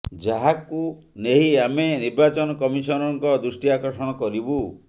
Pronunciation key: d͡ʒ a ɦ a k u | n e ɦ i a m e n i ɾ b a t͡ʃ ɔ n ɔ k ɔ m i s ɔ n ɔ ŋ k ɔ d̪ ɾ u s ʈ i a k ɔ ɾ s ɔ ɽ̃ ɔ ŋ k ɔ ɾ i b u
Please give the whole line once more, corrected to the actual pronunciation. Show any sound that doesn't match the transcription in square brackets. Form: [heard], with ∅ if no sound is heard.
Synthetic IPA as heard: d͡ʒ a ɦ a k u | n e ɦ i a m e n i ɾ b a t͡ʃ ɔ n ɔ k ɔ m i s ɔ n ɔ ŋ k ɔ d̪ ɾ u s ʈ i a k ɔ ɾ s ɔ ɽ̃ ɔ [∅] k ɔ ɾ i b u

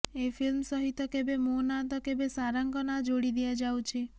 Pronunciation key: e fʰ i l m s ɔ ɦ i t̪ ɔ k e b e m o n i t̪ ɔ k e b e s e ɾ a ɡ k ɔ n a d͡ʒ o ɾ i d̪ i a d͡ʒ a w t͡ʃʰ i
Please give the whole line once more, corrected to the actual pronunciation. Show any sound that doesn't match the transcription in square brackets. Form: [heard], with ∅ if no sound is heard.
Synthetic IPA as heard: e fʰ i l m s ɔ ɦ i t̪ ɔ k e b e m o n [a] t̪ ɔ k e b e s [a] ɾ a [ŋ] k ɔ n a d͡ʒ o [ɽ] i d̪ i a d͡ʒ a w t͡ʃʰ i

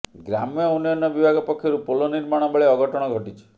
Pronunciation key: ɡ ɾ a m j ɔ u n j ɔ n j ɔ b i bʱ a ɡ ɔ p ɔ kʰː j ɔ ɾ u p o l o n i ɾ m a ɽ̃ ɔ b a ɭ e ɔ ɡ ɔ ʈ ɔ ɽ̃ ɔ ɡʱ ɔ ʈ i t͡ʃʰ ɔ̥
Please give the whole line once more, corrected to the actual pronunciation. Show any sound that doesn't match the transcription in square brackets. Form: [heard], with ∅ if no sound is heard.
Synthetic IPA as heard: ɡ ɾ a m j ɔ u n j ɔ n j ɔ b i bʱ a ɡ ɔ p ɔ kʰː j ɔ ɾ u p o l o n i ɾ m a ɽ̃ ɔ b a ɭ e ɔ ɡ ɔ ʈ ɔ ɽ̃ ɔ ɡʱ ɔ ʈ i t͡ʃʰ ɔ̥

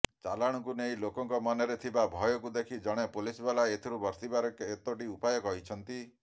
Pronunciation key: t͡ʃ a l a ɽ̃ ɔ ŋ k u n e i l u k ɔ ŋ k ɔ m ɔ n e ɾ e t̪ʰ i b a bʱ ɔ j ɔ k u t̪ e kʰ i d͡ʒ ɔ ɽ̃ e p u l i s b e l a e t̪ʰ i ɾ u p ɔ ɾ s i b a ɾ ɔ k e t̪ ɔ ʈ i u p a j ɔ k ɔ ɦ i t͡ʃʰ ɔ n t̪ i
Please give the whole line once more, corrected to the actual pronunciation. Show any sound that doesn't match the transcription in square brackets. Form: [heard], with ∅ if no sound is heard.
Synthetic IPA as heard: t͡ʃ a l a ɽ̃ ɔ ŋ k u n e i l [o] k ɔ ŋ k ɔ m ɔ n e ɾ e t̪ʰ i b a bʱ ɔ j ɔ k u [d̪] e kʰ i d͡ʒ ɔ ɽ̃ e p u l i s b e l a e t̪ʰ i ɾ u [b] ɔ ɾ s i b a ɾ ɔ k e t̪ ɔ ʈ i u p a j ɔ k ɔ ɦ i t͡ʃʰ ɔ n t̪ i

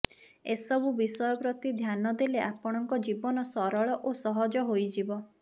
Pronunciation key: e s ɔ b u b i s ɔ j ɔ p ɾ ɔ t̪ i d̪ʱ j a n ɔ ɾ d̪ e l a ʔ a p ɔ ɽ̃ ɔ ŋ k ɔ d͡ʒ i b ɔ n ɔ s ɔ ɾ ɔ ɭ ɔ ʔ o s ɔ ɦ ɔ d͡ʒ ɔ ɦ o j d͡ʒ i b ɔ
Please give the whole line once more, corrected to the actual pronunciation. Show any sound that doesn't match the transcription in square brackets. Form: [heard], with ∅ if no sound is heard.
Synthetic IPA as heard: e s ɔ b u b i s ɔ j ɔ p ɾ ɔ t̪ i d̪ʱ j a n ɔ [∅] d̪ e l [e] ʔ a p ɔ ɽ̃ ɔ ŋ k ɔ d͡ʒ i b ɔ n ɔ s ɔ ɾ ɔ ɭ ɔ ʔ o s ɔ ɦ ɔ d͡ʒ ɔ ɦ o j d͡ʒ i b ɔ

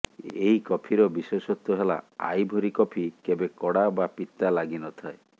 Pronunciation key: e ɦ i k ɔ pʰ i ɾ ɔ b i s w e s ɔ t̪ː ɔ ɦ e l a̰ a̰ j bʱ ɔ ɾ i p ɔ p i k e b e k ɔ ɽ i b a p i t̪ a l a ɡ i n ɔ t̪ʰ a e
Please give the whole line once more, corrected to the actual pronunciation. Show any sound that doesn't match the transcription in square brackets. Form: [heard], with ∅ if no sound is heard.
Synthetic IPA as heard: e ɦ i k ɔ pʰ i ɾ ɔ b i s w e s ɔ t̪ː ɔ ɦ e l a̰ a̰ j bʱ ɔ ɾ i [k] ɔ [pʰ] i k e b e k ɔ ɽ [a] b a p i t̪ a l a ɡ i n ɔ t̪ʰ a e

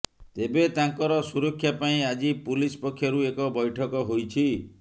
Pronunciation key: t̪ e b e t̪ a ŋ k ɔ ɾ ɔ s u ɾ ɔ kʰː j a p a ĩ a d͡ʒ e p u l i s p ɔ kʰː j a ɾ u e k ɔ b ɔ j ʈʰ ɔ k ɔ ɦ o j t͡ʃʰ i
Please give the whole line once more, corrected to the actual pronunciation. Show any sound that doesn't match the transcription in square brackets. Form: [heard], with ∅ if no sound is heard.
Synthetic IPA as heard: t̪ e b e t̪ a ŋ k ɔ ɾ ɔ s u ɾ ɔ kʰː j a p a ĩ a d͡ʒ [i] p u l i s p ɔ kʰː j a ɾ u e k ɔ b ɔ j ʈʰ ɔ k ɔ ɦ o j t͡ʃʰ i

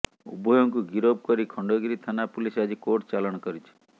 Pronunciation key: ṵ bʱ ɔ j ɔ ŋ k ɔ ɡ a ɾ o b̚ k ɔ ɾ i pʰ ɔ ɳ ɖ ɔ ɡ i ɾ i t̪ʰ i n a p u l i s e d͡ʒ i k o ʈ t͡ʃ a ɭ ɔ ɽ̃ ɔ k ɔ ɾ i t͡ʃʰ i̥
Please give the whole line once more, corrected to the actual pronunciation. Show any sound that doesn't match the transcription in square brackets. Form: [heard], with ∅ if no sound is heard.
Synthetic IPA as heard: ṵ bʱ ɔ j ɔ ŋ k [u] ɡ [i] ɾ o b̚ k ɔ ɾ i [kʰ] ɔ ɳ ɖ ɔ ɡ i ɾ i t̪ʰ [a] n a p u l i s [a] d͡ʒ i k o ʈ t͡ʃ a [l] ɔ ɽ̃ ɔ k ɔ ɾ i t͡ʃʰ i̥

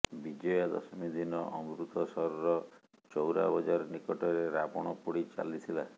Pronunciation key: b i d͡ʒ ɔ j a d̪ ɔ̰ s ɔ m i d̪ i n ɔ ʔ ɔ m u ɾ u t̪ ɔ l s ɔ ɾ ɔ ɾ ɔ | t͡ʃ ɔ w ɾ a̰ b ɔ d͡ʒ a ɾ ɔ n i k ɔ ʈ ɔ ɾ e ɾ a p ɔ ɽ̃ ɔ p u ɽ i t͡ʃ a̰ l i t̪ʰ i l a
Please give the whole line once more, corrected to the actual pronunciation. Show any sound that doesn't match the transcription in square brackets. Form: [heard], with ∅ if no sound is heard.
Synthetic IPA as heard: b i d͡ʒ ɔ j a d̪ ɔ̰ s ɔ m i d̪ i n ɔ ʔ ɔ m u ɾ u t̪ ɔ [∅] s ɔ ɾ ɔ ɾ ɔ | t͡ʃ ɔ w ɾ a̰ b ɔ d͡ʒ a ɾ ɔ n i k ɔ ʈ ɔ ɾ e ɾ a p ɔ ɽ̃ ɔ p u ɽ i t͡ʃ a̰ l i t̪ʰ i l a

